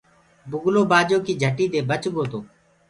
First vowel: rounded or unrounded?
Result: rounded